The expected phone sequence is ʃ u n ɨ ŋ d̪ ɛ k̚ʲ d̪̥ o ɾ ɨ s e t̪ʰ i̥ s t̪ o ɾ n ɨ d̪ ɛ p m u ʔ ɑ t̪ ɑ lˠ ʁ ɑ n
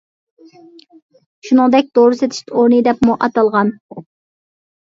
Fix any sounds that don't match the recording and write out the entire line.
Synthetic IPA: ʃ u n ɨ ŋ d̪ ɛ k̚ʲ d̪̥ o ɾ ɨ s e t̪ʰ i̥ ʃ t̪ o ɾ n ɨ d̪ ɛ p m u ʔ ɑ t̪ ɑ lˠ ʁ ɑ n